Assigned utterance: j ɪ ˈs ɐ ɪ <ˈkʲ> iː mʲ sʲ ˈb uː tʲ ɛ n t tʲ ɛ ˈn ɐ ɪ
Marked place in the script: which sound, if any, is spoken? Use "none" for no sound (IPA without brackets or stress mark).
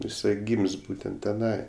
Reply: ɡʲ